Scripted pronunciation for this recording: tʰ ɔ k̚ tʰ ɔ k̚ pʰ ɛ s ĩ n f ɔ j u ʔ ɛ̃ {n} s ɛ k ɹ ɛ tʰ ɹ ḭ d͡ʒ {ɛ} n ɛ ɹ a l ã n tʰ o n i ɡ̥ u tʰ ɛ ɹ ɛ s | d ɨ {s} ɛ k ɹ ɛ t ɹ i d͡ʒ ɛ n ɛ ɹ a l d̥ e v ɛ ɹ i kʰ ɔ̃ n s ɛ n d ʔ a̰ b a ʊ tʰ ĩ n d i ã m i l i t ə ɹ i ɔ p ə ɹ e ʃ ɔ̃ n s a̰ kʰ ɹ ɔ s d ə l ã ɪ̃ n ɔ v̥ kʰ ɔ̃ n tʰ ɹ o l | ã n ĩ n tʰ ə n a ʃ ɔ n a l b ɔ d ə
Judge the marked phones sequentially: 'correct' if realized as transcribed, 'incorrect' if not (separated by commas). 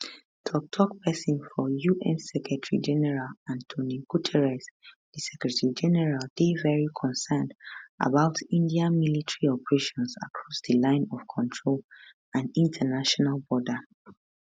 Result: correct, correct, correct